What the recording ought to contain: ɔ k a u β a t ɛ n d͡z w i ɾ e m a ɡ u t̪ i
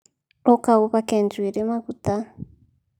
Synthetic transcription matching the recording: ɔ k a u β a k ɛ n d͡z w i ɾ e m a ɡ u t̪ a